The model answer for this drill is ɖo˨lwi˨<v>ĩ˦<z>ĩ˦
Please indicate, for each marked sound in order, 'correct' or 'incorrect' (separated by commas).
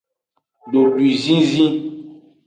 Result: incorrect, correct